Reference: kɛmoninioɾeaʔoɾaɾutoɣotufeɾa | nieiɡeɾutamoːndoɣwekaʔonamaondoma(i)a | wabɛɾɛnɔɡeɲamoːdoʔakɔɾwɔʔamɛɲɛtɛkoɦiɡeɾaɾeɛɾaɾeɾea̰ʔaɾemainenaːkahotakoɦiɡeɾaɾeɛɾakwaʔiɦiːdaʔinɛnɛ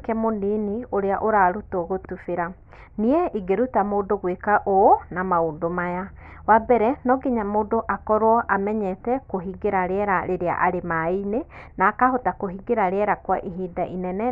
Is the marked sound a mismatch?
yes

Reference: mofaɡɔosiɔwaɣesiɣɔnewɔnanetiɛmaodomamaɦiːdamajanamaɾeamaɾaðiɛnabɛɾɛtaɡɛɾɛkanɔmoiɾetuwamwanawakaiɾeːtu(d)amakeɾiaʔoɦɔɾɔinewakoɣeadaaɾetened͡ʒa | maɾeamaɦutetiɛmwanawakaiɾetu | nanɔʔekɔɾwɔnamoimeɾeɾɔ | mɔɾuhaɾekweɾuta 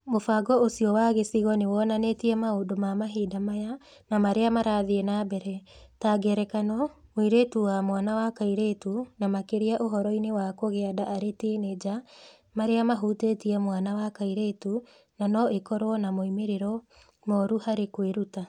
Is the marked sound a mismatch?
yes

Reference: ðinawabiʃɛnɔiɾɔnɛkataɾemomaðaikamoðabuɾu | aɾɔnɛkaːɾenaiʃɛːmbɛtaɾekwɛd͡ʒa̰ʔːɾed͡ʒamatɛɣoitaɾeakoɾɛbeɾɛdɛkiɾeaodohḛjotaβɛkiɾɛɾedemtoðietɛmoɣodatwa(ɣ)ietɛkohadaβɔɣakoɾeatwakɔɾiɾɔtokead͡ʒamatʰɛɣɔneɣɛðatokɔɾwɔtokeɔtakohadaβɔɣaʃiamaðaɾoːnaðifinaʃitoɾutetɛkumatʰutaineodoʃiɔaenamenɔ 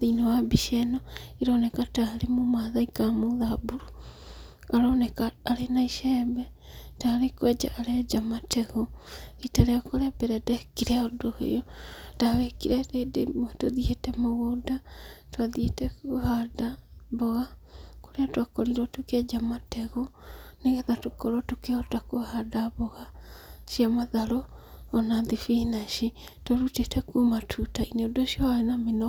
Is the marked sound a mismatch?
yes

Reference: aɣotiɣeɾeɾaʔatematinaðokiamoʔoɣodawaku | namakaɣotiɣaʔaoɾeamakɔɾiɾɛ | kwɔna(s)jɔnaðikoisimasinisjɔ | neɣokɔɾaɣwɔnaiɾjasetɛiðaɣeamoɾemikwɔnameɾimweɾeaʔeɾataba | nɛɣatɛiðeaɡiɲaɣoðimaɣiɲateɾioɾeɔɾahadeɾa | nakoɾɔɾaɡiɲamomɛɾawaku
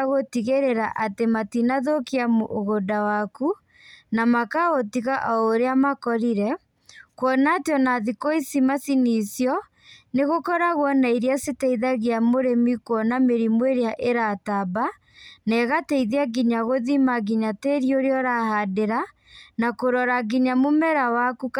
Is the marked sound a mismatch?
yes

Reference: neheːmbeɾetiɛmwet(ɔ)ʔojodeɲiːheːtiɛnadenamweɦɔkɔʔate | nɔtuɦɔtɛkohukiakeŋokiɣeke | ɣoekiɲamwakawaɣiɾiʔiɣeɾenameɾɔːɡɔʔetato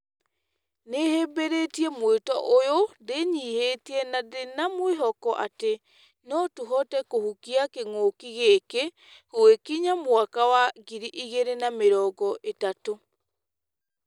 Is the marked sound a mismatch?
no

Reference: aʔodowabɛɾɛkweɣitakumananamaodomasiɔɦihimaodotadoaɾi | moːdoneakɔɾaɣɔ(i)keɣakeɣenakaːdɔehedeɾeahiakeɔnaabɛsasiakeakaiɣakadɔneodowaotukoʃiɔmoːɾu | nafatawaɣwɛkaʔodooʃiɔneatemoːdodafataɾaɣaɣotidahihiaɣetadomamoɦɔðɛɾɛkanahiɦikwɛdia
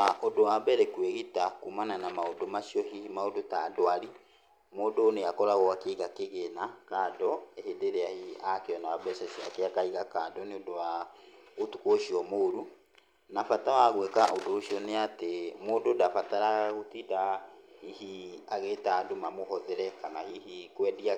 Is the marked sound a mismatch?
yes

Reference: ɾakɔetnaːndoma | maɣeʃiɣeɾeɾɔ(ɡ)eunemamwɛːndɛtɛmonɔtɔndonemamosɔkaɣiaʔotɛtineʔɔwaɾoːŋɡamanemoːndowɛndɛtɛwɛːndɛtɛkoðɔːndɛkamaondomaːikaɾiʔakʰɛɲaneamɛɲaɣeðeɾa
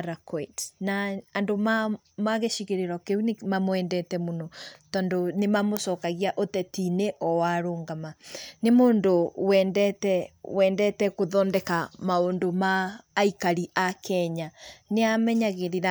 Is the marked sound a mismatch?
yes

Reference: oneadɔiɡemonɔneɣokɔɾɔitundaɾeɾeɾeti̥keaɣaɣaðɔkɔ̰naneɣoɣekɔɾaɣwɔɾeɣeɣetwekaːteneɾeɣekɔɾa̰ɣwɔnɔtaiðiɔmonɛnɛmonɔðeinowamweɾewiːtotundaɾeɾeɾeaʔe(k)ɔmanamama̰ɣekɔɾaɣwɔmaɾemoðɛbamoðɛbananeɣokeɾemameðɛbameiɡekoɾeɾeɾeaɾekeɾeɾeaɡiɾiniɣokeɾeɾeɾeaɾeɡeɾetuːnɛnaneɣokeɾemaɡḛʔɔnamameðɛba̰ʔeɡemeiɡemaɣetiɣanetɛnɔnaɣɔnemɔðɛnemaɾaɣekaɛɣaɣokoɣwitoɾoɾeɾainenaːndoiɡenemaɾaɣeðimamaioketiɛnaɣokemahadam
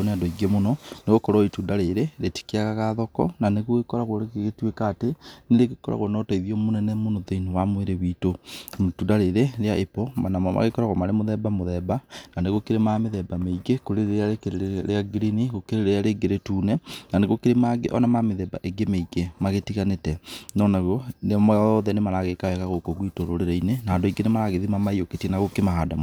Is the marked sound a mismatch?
yes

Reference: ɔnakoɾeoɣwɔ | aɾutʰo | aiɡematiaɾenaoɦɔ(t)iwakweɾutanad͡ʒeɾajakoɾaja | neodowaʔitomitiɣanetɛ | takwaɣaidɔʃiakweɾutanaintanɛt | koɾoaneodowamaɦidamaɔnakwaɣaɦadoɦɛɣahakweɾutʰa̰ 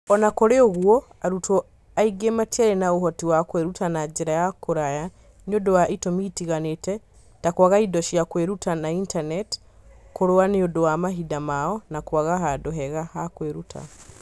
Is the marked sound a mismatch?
no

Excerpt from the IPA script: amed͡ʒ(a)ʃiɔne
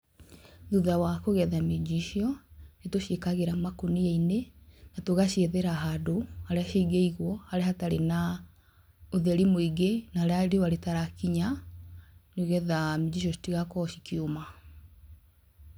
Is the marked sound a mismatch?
yes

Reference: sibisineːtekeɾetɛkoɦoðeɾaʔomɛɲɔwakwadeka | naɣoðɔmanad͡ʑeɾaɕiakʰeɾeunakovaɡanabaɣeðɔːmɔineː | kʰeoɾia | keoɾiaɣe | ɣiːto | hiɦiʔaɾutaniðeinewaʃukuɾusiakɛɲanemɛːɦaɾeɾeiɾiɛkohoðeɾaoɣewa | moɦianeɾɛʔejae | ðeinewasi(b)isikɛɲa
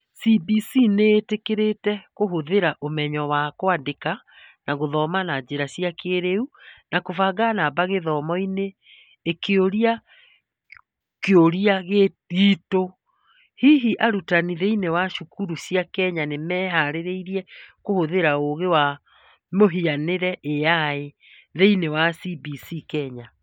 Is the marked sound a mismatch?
no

